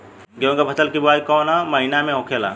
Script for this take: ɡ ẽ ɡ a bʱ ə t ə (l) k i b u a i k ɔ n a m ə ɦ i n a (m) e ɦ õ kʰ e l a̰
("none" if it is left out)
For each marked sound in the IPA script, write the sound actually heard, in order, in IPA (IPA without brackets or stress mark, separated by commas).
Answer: l, m